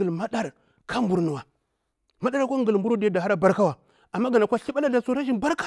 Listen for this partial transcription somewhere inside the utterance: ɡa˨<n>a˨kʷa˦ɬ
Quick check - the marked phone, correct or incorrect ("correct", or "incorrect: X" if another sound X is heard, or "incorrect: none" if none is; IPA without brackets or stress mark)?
correct